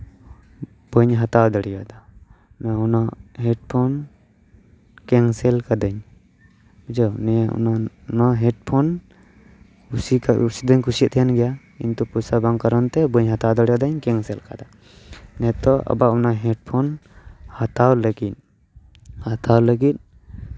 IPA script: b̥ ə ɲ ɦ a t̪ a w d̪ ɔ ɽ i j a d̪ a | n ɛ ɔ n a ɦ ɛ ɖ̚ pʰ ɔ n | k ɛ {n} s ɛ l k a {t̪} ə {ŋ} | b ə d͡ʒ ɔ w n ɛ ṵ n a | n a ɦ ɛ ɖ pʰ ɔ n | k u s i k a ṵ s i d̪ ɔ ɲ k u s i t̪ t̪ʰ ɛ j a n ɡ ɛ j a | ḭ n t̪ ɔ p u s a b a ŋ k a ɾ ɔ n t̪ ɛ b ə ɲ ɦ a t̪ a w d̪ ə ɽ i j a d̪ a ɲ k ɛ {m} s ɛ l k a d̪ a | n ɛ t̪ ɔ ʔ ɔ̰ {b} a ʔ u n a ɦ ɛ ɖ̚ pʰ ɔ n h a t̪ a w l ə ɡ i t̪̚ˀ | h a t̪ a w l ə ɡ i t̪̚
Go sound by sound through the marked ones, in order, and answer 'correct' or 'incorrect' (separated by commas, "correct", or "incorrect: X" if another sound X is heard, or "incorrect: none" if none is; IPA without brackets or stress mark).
incorrect: ŋ, incorrect: d̪, incorrect: ɲ, incorrect: ŋ, correct